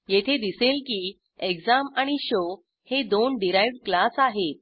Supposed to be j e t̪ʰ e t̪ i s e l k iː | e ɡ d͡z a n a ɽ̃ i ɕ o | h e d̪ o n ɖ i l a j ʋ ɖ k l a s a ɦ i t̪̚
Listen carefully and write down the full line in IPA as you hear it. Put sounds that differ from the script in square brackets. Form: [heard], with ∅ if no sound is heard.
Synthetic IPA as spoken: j e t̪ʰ e [d̪] i s e l k iː | e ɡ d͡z a [m] a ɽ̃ i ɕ o | h e d̪ o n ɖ i [ɾ] a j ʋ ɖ k l a s a ɦ [e] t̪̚